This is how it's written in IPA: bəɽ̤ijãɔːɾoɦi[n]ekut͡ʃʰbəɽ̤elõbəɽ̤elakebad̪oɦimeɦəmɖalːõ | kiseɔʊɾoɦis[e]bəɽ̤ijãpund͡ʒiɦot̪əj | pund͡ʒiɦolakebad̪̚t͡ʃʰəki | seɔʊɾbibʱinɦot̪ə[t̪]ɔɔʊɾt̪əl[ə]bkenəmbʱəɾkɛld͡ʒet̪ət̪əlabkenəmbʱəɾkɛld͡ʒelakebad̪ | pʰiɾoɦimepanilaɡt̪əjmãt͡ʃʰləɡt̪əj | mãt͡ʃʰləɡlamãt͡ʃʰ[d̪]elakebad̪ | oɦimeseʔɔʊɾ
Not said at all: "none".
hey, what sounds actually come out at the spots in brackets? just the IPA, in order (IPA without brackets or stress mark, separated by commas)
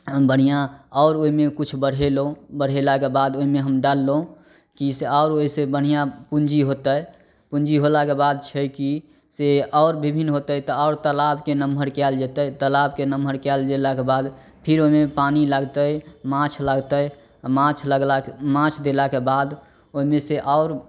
m, e, t̪, a, d̪